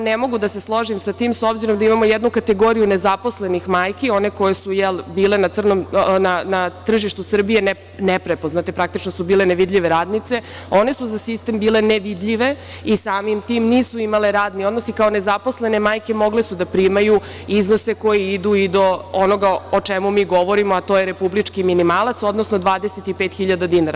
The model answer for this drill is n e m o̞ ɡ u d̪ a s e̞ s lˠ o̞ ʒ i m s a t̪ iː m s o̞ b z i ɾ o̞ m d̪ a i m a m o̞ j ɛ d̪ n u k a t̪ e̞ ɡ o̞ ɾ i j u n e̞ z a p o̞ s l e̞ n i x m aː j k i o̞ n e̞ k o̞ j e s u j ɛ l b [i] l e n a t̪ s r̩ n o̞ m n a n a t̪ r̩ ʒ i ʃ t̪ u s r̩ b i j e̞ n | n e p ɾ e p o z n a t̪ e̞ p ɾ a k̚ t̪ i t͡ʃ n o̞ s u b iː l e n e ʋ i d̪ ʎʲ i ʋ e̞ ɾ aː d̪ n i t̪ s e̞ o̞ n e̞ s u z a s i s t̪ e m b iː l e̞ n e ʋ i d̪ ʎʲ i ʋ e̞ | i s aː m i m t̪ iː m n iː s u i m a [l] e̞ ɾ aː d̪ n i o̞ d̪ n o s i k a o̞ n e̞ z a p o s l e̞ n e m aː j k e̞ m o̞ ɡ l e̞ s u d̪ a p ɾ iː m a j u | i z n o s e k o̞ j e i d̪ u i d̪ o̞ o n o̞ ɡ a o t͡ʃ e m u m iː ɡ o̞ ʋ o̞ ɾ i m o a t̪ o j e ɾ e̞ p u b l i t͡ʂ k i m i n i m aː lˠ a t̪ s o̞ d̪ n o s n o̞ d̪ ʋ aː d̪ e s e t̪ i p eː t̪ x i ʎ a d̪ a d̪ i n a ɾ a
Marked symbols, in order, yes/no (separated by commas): no, yes